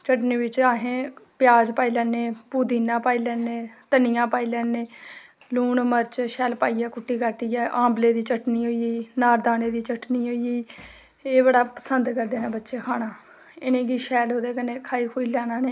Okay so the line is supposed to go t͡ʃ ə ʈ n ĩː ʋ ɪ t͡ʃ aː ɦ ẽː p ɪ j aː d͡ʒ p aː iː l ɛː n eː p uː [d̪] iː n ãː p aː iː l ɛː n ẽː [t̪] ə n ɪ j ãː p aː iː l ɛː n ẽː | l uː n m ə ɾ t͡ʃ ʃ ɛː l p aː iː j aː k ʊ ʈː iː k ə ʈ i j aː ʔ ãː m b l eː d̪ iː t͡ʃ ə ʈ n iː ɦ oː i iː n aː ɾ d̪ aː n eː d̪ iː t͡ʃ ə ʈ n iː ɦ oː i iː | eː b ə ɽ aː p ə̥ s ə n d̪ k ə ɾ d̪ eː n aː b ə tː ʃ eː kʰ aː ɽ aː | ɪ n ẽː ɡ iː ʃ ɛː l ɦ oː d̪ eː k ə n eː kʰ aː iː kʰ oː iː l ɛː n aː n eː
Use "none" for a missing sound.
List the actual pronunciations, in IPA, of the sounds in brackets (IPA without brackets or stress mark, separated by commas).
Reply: d̪, t̪